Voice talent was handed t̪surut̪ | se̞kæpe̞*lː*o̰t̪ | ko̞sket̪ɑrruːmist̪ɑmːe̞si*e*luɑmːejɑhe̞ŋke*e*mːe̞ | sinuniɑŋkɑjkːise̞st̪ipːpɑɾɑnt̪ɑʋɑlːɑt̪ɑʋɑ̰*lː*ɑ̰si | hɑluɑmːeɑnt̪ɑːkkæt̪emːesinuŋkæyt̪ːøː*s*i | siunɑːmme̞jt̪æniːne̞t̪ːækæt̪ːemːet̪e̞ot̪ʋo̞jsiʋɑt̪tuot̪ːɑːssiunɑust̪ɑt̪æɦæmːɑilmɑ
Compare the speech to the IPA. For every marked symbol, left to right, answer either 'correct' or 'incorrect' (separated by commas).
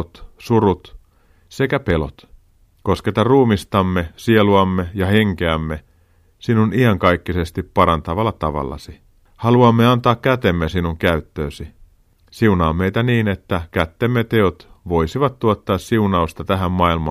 incorrect, correct, incorrect, correct, correct